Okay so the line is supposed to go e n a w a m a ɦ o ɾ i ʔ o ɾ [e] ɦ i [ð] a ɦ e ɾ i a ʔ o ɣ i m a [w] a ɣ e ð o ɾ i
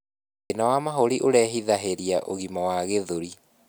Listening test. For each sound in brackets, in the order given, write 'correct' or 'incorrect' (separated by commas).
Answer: incorrect, correct, correct